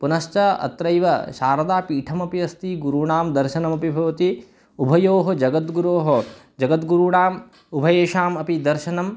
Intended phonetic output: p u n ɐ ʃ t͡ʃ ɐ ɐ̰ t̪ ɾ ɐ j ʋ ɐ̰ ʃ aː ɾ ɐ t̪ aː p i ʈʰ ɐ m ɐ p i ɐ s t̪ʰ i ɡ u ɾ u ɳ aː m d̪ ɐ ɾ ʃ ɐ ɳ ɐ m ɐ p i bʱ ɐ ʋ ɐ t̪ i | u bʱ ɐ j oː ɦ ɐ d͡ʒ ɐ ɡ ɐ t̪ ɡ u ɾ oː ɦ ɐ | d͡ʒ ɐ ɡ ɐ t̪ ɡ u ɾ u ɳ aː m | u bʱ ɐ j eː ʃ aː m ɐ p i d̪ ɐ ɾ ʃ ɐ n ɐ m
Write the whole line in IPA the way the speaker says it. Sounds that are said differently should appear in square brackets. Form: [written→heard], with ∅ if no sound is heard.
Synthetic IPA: p u n ɐ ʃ t͡ʃ ɐ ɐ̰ t̪ ɾ ɐ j ʋ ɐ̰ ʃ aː ɾ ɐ [t̪→d̪] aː p [i→iː] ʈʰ ɐ m ɐ p i ɐ s [t̪ʰ→t̪] i ɡ u ɾ u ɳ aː m d̪ ɐ ɾ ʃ ɐ [ɳ→n] ɐ m ɐ p i bʱ ɐ ʋ ɐ t̪ i | u bʱ ɐ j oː ɦ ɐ d͡ʒ ɐ ɡ ɐ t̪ ɡ u ɾ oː ɦ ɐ | d͡ʒ ɐ ɡ ɐ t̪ ɡ u ɾ u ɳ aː m | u bʱ ɐ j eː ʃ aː m ɐ p i d̪ ɐ ɾ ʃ ɐ n ɐ m